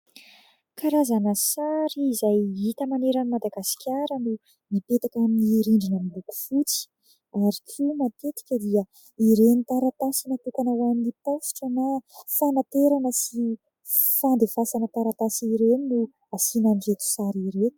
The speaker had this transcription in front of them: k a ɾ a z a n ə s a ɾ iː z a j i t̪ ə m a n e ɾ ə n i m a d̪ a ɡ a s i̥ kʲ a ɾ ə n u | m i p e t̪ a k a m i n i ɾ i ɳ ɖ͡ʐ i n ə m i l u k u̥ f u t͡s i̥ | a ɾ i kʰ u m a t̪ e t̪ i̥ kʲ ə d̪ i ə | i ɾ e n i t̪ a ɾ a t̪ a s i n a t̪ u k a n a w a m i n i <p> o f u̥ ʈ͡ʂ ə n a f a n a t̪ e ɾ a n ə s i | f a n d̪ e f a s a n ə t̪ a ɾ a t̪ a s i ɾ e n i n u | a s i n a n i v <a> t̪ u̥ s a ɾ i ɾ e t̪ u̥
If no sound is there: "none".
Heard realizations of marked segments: p, e

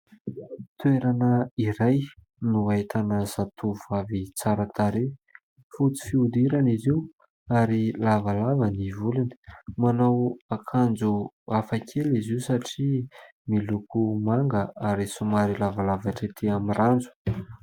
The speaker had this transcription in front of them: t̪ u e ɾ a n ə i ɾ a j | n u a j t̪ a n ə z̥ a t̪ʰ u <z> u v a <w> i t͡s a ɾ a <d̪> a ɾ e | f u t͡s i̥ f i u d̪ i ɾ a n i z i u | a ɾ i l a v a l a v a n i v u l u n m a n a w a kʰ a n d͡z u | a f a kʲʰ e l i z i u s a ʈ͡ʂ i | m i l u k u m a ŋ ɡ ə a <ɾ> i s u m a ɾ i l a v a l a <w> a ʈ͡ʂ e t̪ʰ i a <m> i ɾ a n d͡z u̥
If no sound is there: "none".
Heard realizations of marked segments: v, v, t̪, ɾ, v, m

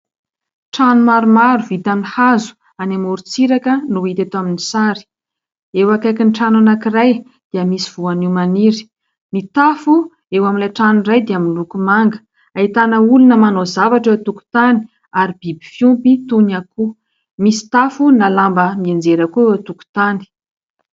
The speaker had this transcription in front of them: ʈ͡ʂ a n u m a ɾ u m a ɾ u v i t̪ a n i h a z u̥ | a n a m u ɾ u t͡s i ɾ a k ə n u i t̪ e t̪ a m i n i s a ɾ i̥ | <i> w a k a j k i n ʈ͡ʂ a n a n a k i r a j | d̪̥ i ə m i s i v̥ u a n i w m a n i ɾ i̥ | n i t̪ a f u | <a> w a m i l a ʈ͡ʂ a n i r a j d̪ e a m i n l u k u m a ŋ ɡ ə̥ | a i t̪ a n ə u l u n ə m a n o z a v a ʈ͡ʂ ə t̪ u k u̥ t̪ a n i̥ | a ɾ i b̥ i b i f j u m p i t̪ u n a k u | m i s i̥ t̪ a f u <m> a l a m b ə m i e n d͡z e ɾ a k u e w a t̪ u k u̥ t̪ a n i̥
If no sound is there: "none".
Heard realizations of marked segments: e, e, n

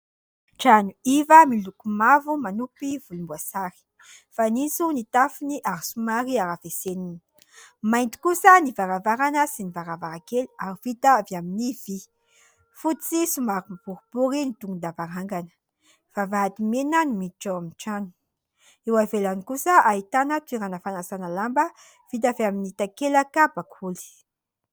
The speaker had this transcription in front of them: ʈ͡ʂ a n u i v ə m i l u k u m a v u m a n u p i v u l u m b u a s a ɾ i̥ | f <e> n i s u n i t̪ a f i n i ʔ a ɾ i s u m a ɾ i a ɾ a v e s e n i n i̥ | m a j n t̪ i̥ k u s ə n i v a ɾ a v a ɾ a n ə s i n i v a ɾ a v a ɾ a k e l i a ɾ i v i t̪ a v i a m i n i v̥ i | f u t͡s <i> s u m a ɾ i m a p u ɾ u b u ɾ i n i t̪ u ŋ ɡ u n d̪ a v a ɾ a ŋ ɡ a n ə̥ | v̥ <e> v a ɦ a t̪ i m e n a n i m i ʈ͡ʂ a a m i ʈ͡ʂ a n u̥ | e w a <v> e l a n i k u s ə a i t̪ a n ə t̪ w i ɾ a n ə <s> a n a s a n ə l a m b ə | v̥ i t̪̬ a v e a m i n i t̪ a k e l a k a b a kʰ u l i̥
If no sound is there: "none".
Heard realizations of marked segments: a, i, a, v, f

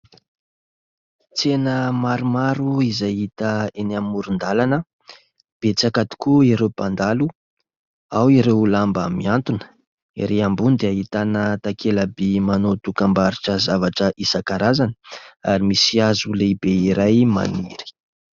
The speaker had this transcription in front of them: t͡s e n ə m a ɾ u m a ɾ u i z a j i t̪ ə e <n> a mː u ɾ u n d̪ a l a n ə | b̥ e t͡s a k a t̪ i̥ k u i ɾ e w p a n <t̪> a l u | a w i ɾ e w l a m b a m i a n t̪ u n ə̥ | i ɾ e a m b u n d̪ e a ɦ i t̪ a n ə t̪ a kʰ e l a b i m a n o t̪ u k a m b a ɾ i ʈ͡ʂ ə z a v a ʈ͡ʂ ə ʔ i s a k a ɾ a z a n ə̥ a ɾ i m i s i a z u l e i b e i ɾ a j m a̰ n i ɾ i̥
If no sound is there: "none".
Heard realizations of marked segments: n, d̪

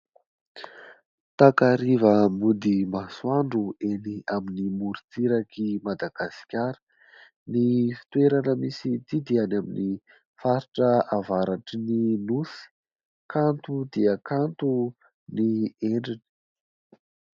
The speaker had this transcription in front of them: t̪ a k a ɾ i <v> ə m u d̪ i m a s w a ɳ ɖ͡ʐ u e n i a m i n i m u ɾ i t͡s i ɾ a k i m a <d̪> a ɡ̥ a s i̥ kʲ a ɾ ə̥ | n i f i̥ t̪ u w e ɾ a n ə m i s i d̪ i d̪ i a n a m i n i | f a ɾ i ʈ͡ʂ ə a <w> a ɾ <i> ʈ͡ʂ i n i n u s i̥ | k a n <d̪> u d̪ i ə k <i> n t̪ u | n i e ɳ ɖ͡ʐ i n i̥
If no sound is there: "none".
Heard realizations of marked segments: v, d̪, v, a, t̪, a

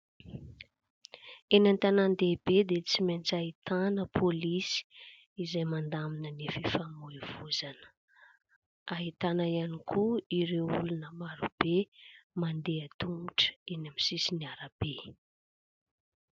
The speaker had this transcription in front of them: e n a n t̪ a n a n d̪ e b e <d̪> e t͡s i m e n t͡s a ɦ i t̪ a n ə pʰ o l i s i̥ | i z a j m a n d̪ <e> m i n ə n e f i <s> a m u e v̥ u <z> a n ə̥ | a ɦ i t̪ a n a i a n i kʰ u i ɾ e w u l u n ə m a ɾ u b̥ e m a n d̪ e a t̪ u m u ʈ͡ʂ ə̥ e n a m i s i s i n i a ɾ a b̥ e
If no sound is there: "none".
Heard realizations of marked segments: d̪, a, f, z

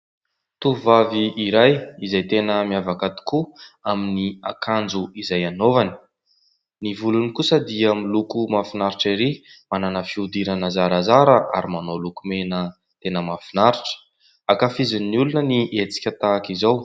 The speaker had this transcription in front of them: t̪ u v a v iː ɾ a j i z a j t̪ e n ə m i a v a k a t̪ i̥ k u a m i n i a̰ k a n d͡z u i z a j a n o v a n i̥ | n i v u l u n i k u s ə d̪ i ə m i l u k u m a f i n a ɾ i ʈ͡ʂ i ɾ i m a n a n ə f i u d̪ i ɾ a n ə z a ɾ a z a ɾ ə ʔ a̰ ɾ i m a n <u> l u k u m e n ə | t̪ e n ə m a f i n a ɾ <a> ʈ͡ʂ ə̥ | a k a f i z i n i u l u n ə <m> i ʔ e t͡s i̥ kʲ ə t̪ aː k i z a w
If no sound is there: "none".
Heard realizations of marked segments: o, i, n

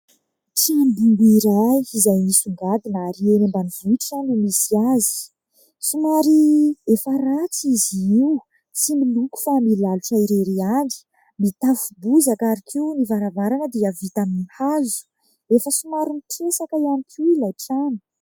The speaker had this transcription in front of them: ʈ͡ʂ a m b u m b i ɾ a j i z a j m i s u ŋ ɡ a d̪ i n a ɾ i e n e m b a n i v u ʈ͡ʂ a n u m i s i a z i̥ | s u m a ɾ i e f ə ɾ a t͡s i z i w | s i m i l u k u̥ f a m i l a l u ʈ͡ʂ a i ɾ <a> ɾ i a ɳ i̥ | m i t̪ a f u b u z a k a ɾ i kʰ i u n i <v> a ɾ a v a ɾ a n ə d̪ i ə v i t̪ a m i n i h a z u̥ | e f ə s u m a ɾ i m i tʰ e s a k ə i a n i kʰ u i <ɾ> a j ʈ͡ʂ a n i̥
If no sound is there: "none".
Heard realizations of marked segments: e, v, l

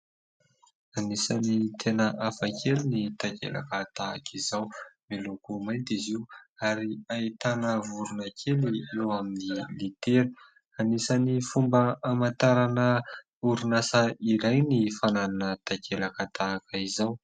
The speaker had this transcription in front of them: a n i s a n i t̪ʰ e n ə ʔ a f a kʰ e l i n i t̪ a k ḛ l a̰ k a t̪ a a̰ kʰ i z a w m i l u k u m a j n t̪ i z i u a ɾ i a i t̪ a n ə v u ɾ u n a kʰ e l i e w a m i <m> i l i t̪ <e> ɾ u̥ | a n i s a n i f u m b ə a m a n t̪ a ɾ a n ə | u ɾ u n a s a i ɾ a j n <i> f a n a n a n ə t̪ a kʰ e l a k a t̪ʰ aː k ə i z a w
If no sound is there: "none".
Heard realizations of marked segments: n, e, i

